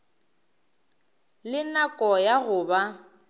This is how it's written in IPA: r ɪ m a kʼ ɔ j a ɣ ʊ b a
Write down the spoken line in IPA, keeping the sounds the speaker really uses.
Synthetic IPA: l ɪ n a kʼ ɔ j a ɣ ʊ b a